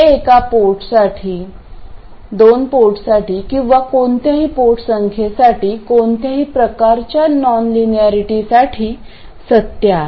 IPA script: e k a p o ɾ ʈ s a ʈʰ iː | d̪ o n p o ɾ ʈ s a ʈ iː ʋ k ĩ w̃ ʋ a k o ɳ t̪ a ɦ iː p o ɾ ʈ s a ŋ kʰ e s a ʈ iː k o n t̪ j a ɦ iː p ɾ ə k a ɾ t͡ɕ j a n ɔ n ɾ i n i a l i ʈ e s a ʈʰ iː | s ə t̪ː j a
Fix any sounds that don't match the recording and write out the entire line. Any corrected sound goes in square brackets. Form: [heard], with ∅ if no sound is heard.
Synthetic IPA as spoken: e k a p o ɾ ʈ s a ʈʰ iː | d̪ o n p o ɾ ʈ s a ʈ iː [∅] k ĩ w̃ ʋ a k o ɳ t̪ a ɦ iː p o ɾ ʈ s [ə] ŋ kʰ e s a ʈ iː k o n t̪ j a ɦ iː p ɾ ə k a ɾ t͡ɕ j a n ɔ n [l] i n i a [ɾ] i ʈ [i] s a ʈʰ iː | s ə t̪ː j a